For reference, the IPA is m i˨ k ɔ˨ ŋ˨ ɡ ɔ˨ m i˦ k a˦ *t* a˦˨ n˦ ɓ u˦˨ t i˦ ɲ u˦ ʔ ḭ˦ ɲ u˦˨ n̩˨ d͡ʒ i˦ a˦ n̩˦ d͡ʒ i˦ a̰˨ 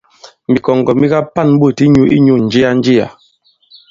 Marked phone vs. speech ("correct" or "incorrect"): incorrect